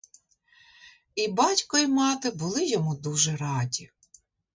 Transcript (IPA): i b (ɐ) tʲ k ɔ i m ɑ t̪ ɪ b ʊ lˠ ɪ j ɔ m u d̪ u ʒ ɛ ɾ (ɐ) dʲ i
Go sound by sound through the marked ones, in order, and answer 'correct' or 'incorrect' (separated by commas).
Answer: incorrect, incorrect